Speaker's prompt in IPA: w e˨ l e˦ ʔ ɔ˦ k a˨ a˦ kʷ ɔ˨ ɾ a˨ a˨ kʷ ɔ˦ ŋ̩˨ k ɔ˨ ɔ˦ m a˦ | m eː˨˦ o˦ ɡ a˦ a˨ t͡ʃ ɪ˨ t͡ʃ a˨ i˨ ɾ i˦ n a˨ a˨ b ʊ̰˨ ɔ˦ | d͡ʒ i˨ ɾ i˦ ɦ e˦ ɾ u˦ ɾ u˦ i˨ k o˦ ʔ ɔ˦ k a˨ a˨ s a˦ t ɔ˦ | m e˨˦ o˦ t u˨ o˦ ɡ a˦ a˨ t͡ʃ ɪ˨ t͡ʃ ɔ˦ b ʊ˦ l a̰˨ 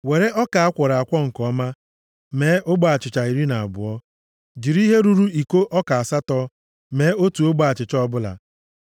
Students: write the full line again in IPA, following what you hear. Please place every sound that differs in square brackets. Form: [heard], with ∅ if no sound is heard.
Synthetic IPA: w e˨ [ɾ] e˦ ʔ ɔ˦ k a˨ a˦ kʷ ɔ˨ ɾ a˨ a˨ kʷ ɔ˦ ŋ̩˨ k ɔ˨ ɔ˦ m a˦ | m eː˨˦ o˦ [ɡ͡b] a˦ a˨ t͡ʃ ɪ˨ t͡ʃ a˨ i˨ ɾ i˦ n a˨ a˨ b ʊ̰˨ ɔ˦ | d͡ʒ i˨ ɾ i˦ ɦ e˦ ɾ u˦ ɾ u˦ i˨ k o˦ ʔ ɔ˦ k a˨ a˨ s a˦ t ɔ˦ | m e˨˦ o˦ t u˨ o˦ [ɡ͡b] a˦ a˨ t͡ʃ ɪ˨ t͡ʃ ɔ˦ b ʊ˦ l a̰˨